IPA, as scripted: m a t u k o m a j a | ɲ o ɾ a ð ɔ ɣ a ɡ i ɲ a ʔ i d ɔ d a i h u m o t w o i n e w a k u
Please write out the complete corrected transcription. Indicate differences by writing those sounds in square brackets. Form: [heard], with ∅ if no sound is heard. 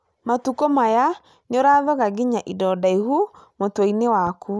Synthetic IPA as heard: m a t u k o m a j a | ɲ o ɾ a ð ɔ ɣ a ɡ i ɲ a ʔ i d ɔ d a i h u m o t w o i n e w a k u